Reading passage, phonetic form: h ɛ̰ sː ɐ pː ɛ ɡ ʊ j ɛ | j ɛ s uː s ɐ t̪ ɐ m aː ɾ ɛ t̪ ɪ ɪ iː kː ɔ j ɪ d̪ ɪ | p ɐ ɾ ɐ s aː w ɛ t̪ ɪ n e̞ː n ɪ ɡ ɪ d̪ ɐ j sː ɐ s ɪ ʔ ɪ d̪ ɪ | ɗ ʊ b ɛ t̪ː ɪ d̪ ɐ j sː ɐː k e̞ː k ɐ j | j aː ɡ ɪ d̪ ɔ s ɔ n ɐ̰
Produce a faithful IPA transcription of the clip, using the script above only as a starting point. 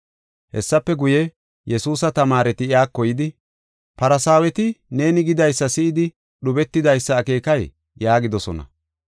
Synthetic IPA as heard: h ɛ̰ sː ɐ pː ɛ ɡ ʊ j ɛ | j ɛ s uː s ɐ t̪ ɐ m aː ɾ ɛ t̪ ɪ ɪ aː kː ɔ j ɪ d̪ ɪ | p ɐ ɾ ɐ s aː w ɛ t̪ ɪ n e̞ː n ɪ ɡ ɪ d̪ ɐ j sː ɐ s ɪ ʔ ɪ d̪ ɪ | ɗ ʊ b ɛ t̪ː ɪ d̪ ɐ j sː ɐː k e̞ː k ɐ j | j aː ɡ ɪ d̪ ɔ s ɔ n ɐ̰